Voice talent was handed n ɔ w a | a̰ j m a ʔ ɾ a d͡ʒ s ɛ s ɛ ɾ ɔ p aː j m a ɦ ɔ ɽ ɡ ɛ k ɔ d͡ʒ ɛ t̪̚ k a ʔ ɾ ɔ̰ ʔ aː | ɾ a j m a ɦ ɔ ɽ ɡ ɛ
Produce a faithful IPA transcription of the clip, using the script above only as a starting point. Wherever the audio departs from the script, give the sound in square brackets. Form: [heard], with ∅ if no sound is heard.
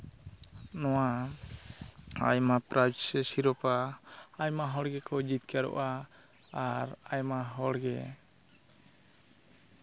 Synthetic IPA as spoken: n ɔ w a | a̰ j m a [p] ɾ a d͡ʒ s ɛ s [i] ɾ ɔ p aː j m a ɦ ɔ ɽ ɡ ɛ k ɔ d͡ʒ [i] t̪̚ k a [∅] ɾ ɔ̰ ʔ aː | ɾ a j m a ɦ ɔ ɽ ɡ ɛ

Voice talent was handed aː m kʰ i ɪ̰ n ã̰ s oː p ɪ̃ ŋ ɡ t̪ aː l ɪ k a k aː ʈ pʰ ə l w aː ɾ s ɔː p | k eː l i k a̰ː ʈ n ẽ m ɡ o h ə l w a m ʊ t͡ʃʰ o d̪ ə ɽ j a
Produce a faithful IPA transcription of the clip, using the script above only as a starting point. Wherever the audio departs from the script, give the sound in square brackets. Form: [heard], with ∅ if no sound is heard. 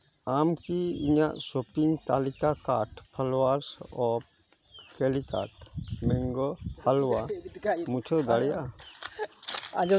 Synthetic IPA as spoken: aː m [k] i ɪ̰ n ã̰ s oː p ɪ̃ ŋ ɡ t̪ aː l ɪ k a k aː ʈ pʰ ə l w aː ɾ s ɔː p | k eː l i k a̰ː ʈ [m] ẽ [ŋ] ɡ o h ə l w a m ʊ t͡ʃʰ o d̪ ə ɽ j a

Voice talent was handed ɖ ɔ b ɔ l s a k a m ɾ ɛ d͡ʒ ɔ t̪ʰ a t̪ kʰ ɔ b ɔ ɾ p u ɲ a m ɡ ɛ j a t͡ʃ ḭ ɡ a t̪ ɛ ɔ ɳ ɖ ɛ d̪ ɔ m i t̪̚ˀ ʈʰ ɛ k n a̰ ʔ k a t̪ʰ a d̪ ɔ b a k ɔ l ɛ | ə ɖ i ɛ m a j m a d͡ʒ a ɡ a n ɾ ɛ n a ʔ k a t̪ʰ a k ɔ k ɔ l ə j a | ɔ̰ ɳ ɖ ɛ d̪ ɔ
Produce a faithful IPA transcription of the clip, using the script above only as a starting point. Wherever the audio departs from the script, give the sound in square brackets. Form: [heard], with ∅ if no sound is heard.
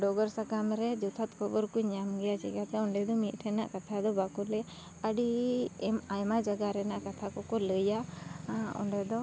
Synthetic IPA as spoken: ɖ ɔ [ɡ] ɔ [ɾ] s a k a m ɾ ɛ d͡ʒ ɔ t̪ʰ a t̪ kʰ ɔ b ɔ ɾ [k] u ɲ a m ɡ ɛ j a t͡ʃ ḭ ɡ a t̪ ɛ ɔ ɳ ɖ ɛ d̪ ɔ m i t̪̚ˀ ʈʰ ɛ [∅] n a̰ ʔ k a t̪ʰ a d̪ ɔ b a k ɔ l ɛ | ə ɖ i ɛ m a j m a d͡ʒ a ɡ a [∅] ɾ ɛ n a ʔ k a t̪ʰ a k ɔ k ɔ l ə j a | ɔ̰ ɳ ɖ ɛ d̪ ɔ

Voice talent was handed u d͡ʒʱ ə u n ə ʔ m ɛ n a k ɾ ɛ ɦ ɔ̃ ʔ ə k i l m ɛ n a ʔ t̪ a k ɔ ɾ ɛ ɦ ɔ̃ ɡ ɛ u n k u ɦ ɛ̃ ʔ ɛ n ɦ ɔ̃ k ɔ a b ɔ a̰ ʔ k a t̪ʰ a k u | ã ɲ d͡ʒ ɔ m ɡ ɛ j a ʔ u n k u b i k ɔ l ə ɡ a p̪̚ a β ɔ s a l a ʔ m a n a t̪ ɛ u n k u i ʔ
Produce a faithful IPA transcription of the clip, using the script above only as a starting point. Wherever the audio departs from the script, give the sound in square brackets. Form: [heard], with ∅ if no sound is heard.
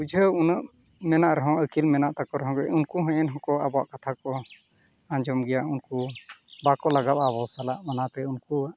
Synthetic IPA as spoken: u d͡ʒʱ ə u n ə ʔ m ɛ n a [ʔ] ɾ ɛ ɦ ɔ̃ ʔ ə k i l m ɛ n a ʔ t̪ a k ɔ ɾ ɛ ɦ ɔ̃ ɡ ɛ u n k u ɦ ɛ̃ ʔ ɛ n ɦ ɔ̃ k ɔ a b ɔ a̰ ʔ k a t̪ʰ a k [ɔ] | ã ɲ d͡ʒ ɔ m ɡ ɛ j a ʔ u n k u b [a] k ɔ l [a] ɡ a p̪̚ a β ɔ s a l a ʔ m a n a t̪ ɛ u n k u [a] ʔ

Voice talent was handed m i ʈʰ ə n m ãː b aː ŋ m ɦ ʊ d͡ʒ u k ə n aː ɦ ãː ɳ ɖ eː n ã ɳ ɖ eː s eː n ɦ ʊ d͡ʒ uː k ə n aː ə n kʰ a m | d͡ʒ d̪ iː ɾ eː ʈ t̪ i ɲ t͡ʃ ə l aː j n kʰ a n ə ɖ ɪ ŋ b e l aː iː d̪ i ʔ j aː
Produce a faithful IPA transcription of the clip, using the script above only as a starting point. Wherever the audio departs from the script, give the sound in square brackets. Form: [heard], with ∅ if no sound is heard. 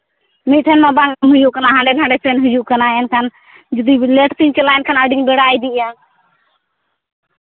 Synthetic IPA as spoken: m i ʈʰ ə n m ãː b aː ŋ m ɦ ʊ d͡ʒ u k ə n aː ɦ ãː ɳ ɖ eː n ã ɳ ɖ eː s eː n ɦ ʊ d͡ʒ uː k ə n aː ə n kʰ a [n] | d͡ʒ d̪ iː [l] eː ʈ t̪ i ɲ t͡ʃ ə l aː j n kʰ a n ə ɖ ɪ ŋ b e [ɽ] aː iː d̪ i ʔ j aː

